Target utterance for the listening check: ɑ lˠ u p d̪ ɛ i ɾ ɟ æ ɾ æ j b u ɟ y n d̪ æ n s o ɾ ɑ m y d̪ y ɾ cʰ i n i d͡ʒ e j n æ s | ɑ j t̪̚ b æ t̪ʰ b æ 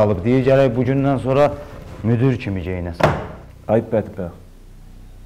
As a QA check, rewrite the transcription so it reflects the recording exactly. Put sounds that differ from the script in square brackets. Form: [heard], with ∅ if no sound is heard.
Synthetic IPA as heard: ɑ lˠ [ɯ] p d̪ [i] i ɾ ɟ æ ɾ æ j b u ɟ y n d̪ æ n s o ɾ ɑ m y d̪ y ɾ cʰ i [m] i d͡ʒ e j n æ s | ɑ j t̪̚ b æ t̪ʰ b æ